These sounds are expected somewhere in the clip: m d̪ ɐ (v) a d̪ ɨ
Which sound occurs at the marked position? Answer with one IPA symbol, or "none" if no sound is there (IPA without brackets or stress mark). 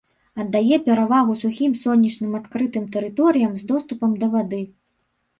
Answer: v